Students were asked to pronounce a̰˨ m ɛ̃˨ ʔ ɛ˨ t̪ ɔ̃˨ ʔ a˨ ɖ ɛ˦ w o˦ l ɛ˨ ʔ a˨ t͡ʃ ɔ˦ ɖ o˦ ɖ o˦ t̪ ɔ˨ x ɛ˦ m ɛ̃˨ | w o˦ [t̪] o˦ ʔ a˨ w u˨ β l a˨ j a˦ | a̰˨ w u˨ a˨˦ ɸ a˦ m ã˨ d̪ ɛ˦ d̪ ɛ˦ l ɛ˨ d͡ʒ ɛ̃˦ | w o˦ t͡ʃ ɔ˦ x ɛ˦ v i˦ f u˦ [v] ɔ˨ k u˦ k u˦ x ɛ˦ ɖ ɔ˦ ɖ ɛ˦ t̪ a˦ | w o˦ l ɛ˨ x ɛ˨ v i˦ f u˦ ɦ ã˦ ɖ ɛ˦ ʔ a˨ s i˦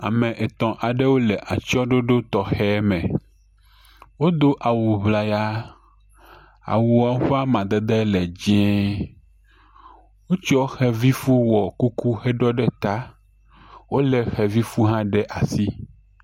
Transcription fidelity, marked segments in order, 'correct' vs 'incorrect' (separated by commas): incorrect, incorrect